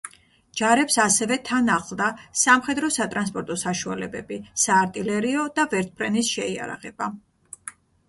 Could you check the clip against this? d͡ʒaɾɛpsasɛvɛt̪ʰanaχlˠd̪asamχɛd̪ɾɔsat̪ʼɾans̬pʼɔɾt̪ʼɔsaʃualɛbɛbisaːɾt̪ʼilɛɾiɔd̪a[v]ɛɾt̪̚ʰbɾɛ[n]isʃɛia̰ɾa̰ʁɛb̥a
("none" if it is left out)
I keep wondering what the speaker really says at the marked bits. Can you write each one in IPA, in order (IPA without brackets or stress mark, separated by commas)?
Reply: v, n